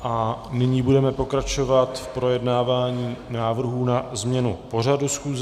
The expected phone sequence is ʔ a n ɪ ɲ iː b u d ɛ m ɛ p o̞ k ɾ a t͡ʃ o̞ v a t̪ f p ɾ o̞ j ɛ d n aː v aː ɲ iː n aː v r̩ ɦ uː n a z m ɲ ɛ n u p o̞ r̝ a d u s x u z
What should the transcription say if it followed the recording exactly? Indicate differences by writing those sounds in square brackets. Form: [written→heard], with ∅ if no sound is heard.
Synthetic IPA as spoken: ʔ a n ɪ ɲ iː b u d ɛ m ɛ p o̞ k ɾ a t͡ʃ o̞ v a t̪ f p ɾ o̞ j ɛ d n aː v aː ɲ iː n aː v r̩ ɦ uː n a z m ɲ ɛ n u p o̞ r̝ a d u s x [u→uː] z